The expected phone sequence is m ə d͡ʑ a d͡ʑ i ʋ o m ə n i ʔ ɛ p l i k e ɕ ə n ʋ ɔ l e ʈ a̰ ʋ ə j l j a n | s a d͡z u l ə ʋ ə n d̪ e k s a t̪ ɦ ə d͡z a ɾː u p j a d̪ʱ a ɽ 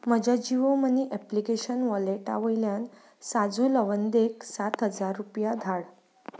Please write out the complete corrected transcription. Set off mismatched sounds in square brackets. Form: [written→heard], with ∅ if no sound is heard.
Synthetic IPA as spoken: m ə d͡ʑ a d͡ʑ i ʋ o m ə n i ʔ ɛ p l i k e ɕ ə n ʋ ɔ l e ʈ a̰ ʋ ə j l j a n | s a d͡z u l ə ʋ ə n d̪ e k s a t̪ ɦ ə d͡z a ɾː u p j a d̪ʱ a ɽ